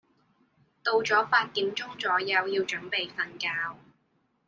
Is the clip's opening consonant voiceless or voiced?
voiceless